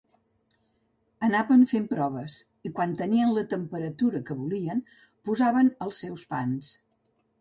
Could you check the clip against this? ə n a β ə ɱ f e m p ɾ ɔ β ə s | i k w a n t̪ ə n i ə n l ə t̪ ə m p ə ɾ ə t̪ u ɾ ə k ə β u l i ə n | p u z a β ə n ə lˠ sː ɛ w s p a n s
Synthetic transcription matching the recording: ə n a β ə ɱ f e m p ɾ ɔ β ə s | i k w a n t̪ ə n i ə n l ə t̪ ə m p ə ɾ ə t̪ u ɾ ə k ə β u l i ə n | p u z a β ə n ə lˠ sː ɛ w s p a n s